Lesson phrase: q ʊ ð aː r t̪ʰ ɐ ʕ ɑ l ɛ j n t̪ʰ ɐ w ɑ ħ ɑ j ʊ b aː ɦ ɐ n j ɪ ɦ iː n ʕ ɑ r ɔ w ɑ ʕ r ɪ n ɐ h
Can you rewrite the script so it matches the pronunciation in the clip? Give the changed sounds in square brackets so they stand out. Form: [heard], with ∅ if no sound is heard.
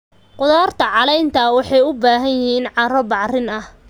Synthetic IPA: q ʊ ð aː r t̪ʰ ɐ ʕ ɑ l ɛ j n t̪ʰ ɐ w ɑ ħ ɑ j ʊ b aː ɦ ɐ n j ɪ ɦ iː n ʕ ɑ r ɔ [b] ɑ ʕ r ɪ n ɐ h